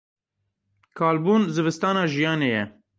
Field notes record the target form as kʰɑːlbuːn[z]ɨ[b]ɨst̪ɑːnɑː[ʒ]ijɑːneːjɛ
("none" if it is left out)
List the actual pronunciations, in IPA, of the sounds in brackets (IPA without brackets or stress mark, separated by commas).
z, v, ʒ